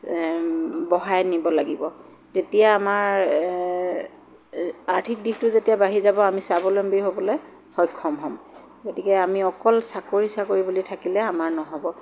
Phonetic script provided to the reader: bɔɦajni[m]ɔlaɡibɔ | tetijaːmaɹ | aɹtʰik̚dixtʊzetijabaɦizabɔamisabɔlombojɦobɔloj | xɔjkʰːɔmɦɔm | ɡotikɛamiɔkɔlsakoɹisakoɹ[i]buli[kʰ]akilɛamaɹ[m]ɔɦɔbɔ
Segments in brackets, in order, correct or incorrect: incorrect, correct, incorrect, incorrect

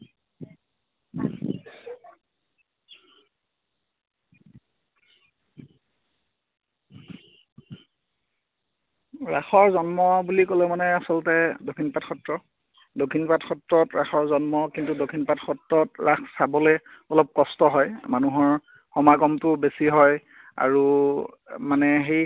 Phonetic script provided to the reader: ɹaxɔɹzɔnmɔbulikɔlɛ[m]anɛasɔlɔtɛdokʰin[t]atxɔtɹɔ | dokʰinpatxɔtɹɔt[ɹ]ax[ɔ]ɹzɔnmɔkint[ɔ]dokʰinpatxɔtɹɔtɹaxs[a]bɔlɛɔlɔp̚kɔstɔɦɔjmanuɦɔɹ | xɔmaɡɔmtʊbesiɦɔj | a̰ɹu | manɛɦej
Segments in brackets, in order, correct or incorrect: correct, incorrect, correct, correct, incorrect, correct

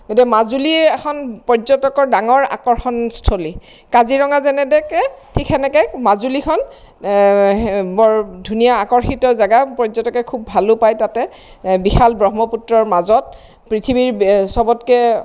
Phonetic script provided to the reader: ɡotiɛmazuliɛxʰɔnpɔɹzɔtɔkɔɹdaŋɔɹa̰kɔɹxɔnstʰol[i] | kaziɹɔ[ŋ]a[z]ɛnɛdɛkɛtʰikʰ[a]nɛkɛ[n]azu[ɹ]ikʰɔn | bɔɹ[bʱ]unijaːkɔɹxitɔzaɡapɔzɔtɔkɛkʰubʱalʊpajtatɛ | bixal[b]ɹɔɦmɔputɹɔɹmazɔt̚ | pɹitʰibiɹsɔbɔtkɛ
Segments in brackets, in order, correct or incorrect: correct, correct, correct, incorrect, incorrect, incorrect, incorrect, correct

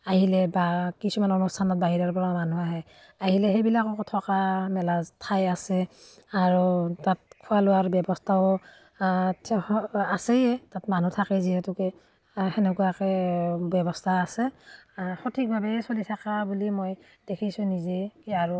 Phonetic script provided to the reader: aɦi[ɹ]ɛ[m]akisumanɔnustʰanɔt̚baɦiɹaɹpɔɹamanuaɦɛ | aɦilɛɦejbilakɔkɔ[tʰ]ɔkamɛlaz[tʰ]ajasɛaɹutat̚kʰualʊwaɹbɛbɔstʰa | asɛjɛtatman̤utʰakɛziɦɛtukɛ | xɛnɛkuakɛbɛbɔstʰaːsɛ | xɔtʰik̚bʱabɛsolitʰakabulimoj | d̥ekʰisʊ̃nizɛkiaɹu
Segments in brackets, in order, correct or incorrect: incorrect, incorrect, correct, correct

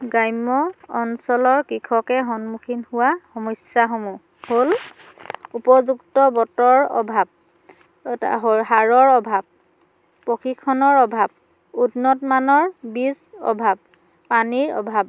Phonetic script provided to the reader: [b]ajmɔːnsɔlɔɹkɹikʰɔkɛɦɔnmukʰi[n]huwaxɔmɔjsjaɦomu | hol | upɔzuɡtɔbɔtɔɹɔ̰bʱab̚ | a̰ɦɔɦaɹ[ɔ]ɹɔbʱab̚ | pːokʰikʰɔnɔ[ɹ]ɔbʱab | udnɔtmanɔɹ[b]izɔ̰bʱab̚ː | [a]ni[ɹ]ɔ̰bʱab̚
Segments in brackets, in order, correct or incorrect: incorrect, correct, correct, correct, correct, correct, correct

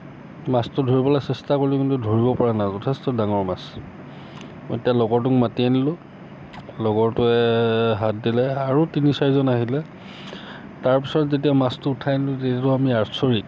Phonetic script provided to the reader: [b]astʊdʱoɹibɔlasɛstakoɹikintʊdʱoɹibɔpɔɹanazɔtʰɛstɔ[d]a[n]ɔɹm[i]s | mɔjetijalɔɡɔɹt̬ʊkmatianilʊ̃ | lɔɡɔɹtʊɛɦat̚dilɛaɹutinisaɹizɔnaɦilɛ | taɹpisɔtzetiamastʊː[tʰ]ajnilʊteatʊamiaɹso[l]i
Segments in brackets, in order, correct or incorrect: incorrect, correct, incorrect, incorrect, correct, incorrect

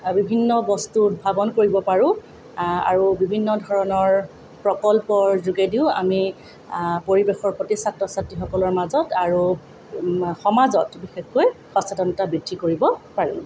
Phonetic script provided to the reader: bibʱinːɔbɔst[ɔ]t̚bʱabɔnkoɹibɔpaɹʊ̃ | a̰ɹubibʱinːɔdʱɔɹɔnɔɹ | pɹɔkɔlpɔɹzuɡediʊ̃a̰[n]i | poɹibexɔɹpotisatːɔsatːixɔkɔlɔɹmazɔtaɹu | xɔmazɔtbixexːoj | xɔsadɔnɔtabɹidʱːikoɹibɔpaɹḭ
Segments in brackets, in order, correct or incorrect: incorrect, incorrect

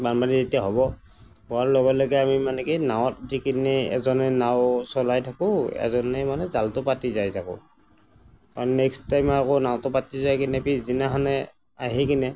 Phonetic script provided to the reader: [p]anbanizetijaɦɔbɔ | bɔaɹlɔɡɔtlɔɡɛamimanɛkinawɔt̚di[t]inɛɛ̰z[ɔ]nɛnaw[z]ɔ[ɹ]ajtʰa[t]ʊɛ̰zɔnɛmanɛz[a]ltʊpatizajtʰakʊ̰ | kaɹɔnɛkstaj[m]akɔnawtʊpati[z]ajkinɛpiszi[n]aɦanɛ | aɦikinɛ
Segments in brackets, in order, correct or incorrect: incorrect, incorrect, correct, incorrect, incorrect, incorrect, correct, correct, correct, correct

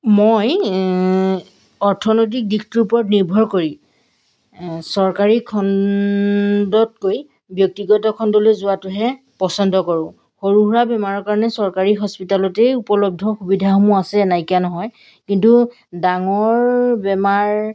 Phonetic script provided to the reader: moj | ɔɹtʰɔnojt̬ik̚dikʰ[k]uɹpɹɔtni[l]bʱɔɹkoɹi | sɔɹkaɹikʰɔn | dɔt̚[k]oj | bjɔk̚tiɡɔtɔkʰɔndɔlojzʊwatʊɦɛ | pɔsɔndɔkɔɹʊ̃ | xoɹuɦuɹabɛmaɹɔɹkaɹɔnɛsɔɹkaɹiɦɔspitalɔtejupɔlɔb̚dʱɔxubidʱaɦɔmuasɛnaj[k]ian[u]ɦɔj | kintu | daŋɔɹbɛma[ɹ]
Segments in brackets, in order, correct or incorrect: incorrect, incorrect, correct, correct, incorrect, correct

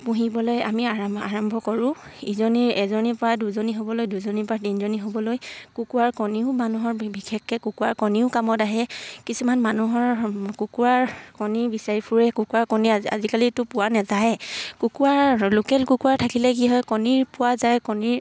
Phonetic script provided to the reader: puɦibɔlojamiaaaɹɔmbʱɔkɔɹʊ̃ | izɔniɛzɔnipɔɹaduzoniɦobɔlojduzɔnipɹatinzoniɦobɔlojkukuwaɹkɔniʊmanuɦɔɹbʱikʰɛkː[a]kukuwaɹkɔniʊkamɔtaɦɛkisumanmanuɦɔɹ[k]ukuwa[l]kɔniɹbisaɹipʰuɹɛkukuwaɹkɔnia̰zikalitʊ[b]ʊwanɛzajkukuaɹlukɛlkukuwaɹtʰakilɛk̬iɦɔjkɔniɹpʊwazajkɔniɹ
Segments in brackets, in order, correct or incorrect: incorrect, correct, incorrect, incorrect

